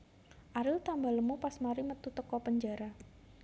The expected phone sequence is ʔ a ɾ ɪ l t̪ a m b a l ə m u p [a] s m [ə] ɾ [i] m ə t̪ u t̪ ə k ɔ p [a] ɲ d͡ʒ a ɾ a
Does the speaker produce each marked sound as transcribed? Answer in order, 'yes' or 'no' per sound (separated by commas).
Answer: yes, no, yes, no